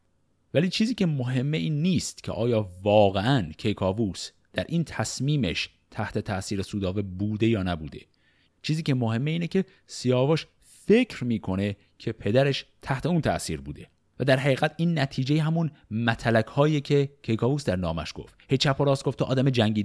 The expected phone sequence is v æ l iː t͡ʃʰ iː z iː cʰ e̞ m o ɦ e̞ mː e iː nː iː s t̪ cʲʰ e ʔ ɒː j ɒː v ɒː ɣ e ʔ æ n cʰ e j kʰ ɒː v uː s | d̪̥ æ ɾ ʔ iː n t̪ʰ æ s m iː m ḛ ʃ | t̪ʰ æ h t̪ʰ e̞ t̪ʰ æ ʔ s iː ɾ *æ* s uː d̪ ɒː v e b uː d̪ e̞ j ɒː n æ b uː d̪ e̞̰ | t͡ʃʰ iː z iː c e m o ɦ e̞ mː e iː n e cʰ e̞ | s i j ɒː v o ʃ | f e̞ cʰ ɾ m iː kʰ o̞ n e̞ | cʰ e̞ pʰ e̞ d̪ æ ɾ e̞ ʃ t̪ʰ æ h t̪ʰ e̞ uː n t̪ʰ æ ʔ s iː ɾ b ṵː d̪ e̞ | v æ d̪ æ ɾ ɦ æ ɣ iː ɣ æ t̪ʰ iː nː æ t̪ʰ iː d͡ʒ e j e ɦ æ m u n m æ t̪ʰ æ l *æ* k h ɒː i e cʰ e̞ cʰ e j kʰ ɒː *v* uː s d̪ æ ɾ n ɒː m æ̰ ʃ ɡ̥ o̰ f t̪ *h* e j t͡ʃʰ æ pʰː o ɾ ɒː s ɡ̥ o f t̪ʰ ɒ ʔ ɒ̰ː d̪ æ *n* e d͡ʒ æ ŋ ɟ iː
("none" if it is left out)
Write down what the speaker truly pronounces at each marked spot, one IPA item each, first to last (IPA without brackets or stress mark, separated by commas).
e, æ, v, h, m